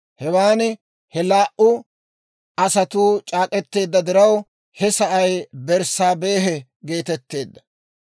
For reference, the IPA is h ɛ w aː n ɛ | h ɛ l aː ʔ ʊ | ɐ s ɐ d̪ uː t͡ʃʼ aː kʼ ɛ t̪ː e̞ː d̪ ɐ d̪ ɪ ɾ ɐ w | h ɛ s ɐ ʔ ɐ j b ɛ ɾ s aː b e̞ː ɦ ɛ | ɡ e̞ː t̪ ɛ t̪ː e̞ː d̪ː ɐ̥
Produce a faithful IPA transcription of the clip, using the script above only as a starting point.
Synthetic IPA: h ɛ w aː n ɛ | h ɛ l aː ʔ ʊ | ɐ s ɐ t̪ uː t͡ʃʼ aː kʼ ɛ t̪ː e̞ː d̪ː ɐ d̪ ɪ ɾ ɐ w | h ɛ s ɐ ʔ ɐ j b ɛ ɾ s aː b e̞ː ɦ ɛ | ɡ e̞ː t̪ ɛ t̪ː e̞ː d̪ː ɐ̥